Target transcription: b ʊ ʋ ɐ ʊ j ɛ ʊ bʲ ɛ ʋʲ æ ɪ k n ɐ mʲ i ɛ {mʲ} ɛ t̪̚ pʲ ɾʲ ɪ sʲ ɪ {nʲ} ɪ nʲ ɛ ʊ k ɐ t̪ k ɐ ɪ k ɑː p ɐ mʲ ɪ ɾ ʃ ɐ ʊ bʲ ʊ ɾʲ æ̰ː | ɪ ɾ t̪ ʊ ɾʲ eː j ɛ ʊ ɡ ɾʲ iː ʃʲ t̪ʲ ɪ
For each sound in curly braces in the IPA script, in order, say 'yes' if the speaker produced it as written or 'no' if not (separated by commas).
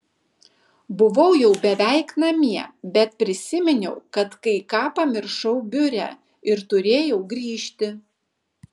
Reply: no, no